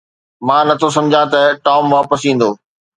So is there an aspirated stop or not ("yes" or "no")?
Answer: yes